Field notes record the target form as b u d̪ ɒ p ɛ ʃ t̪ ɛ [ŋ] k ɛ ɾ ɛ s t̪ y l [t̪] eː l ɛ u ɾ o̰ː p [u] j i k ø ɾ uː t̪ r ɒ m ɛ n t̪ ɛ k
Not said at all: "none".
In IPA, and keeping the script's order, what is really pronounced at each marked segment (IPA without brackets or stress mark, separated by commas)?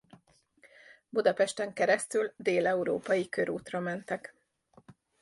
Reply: ŋ, d̪, ɒ